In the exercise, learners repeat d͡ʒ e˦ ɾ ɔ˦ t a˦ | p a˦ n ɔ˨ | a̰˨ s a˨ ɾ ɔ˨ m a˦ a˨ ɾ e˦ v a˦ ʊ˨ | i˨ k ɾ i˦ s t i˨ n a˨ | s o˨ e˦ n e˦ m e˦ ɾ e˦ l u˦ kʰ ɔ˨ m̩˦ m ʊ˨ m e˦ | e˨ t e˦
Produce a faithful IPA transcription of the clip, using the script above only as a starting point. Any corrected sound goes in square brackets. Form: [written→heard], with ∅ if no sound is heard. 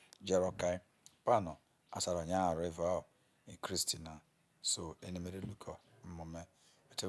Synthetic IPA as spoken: d͡ʒ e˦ ɾ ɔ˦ [t→k] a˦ | p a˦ n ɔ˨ | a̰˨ s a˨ ɾ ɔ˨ [m→ɲ] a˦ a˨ ɾ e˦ v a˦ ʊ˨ | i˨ k ɾ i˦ s t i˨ n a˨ | s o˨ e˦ n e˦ m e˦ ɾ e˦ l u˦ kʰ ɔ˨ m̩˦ m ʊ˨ m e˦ | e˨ t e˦

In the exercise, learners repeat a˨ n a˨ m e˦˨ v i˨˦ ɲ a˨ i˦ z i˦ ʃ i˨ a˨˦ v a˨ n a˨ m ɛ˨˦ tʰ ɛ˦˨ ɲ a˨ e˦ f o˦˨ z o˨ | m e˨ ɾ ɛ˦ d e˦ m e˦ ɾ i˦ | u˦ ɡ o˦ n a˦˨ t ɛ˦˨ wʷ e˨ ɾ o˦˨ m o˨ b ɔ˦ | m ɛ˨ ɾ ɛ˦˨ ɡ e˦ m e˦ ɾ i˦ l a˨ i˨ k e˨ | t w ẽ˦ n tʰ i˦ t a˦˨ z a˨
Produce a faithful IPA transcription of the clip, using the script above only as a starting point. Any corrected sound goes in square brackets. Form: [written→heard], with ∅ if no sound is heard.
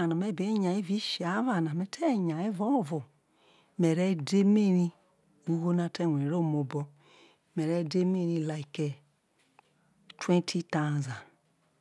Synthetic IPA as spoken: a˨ n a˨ m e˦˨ [v→b] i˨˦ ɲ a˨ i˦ [z→v] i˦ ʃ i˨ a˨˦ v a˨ n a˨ m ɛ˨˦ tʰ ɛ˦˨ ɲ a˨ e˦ [f→v] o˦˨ [z→v] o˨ | m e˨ ɾ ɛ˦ d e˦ m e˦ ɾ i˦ | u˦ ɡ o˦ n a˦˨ t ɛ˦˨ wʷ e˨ ɾ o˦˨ m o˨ b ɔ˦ | m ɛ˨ ɾ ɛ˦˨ [ɡ→d] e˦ m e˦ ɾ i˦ l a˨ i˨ k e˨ | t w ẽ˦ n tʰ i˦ t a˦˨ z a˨

